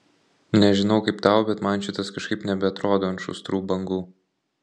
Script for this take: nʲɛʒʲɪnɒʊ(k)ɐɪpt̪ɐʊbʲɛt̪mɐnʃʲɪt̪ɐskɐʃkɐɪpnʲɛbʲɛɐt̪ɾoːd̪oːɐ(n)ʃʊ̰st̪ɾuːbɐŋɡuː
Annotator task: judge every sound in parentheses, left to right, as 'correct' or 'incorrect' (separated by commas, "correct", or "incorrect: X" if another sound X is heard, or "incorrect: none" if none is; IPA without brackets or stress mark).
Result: correct, correct